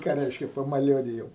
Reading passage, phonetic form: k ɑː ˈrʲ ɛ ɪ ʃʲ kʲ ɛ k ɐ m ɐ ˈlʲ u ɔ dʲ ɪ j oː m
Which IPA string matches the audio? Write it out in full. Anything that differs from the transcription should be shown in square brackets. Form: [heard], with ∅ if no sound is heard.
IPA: k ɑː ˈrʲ ɛ ɪ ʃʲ kʲ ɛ [p] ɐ m ɐ ˈlʲ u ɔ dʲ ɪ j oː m

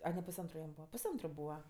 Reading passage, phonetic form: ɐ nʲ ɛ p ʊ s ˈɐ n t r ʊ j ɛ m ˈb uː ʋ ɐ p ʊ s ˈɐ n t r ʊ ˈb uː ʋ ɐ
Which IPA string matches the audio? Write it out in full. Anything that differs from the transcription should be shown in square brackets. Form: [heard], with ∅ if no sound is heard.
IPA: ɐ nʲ ɛ p ʊ s ˈɐ n t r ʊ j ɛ m ˈb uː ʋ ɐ p ʊ s ˈɐ n t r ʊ ˈb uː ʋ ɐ

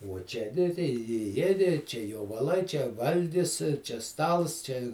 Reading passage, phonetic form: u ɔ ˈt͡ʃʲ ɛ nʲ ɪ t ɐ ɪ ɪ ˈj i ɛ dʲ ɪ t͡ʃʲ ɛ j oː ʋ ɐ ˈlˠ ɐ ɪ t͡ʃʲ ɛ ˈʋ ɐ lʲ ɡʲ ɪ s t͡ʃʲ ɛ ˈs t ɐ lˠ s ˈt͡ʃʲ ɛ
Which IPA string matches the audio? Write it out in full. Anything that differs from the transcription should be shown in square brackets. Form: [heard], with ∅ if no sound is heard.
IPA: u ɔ ˈt͡ʃʲ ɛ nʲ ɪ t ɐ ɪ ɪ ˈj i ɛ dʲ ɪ t͡ʃʲ ɛ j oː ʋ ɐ ˈlˠ ɐ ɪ t͡ʃʲ ɛ ˈʋ ɐ lʲ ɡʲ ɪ s t͡ʃʲ ɛ ˈs t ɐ lˠ s ˈt͡ʃʲ ɛ

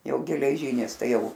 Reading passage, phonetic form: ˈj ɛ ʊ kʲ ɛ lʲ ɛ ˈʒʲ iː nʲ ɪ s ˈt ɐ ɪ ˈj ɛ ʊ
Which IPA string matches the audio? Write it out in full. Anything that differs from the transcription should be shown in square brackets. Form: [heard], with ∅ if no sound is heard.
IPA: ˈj ɛ ʊ [ɡʲ] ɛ lʲ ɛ ˈʒʲ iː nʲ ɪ s ˈt ɐ ɪ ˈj ɛ ʊ

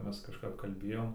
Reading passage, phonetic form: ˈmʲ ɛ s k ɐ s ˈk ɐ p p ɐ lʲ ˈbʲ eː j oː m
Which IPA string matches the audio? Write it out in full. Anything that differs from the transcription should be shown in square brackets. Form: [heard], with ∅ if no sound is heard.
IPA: ˈmʲ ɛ s k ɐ [ʃ] ˈk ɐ p [k] ɐ lʲ ˈbʲ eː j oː m

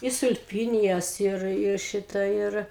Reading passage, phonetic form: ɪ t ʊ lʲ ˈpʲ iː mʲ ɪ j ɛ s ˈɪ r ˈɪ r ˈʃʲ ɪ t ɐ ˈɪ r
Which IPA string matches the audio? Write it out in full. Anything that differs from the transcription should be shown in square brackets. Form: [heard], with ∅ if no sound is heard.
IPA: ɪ [s] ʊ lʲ ˈpʲ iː [nʲ] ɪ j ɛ s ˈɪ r ˈɪ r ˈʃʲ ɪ t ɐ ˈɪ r

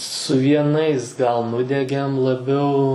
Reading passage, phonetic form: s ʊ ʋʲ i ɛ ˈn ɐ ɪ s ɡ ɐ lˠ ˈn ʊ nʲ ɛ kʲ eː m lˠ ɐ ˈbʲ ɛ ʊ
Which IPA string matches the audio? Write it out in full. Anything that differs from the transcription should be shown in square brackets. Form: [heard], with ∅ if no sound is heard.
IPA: s ʊ ʋʲ i ɛ ˈn ɐ ɪ s ɡ ɐ lˠ ˈn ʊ [dʲ] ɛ [ɡʲ] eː m lˠ ɐ ˈbʲ ɛ ʊ

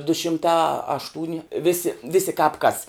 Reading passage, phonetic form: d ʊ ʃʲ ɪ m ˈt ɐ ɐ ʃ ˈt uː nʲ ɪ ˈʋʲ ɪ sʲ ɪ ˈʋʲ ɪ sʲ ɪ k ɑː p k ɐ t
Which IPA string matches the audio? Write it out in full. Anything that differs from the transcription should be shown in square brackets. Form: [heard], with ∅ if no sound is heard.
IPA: d ʊ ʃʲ ɪ m ˈt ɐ ɐ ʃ ˈt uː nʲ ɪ ˈʋʲ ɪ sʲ ɪ ˈʋʲ ɪ sʲ ɪ k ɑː p k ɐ [s]

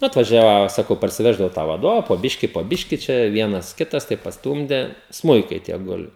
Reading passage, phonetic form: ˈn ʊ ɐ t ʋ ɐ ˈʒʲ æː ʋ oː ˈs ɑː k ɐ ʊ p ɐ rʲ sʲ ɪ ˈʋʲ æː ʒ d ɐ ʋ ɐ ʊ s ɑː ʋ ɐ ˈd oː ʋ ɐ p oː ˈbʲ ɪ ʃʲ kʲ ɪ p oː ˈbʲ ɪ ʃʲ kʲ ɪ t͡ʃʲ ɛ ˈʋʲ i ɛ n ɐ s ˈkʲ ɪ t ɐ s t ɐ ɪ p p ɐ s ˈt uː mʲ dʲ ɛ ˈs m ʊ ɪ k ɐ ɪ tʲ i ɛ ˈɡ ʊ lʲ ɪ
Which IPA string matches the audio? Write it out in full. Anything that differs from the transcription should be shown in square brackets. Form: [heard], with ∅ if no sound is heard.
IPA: ˈn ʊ ɐ t ʋ ɐ ˈʒʲ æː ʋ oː ˈs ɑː k ɐ ʊ p ɐ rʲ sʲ ɪ ˈʋʲ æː ʒ d ɐ ʋ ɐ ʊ [t] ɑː ʋ ɐ ˈd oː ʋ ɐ p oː ˈbʲ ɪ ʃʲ kʲ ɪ p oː ˈbʲ ɪ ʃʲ kʲ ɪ t͡ʃʲ ɛ ˈʋʲ i ɛ n ɐ s ˈkʲ ɪ t ɐ s t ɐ ɪ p p ɐ s ˈt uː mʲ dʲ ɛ ˈs m ʊ ɪ k ɐ ɪ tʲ i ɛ ˈɡ ʊ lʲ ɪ

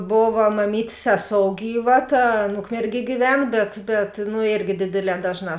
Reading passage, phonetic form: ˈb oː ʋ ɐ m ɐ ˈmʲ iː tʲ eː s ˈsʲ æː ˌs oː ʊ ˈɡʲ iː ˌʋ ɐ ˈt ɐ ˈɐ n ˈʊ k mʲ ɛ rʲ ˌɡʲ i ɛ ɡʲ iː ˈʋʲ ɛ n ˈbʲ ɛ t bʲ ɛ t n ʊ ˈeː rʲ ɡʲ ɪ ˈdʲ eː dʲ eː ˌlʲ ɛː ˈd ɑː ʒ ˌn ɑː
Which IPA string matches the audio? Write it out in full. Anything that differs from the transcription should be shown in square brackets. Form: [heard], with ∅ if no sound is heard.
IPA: ˈb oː ʋ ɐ m ɐ ˈmʲ iː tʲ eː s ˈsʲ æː ˌs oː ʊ ˈɡʲ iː ˌʋ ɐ ˈt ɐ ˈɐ n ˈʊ k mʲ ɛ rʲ ˌɡʲ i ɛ ɡʲ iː ˈʋʲ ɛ n ˈbʲ ɛ t bʲ ɛ t n ʊ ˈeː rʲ ɡʲ ɪ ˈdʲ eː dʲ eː ˌlʲ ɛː ˈd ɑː ʒ ˌn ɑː

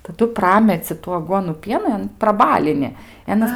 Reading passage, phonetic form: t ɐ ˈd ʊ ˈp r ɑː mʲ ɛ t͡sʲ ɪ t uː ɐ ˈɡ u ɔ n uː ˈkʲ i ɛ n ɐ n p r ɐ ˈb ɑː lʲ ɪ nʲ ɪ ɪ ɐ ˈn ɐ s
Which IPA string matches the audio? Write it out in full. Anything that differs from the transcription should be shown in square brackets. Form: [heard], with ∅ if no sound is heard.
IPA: t ɐ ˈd ʊ ˈp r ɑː mʲ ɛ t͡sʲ ɪ t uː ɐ ˈɡ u ɔ n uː [ˈpʲ] i ɛ n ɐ n p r ɐ ˈb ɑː lʲ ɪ nʲ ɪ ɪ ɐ ˈn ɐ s

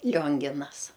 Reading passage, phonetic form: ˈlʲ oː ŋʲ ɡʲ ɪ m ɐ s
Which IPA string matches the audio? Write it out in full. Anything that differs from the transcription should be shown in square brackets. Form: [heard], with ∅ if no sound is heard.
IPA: ˈlʲ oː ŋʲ ɡʲ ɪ [n] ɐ s

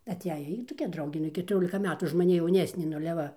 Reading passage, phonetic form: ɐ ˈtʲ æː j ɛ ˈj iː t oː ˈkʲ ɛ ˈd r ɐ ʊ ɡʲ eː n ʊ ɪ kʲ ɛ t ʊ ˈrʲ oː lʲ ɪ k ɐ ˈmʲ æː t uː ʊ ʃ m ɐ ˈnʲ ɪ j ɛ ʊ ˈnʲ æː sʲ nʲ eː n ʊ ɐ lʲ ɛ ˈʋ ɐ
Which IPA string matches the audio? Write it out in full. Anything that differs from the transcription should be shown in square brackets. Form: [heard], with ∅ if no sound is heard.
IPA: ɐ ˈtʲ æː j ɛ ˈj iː t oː ˈkʲ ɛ ˈd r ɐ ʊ ɡʲ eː n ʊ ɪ kʲ ɛ t ʊ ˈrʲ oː lʲ ɪ k ɐ ˈmʲ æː t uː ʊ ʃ m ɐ ˈnʲ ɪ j ɛ ʊ ˈnʲ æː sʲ nʲ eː n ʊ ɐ lʲ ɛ ˈʋ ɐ

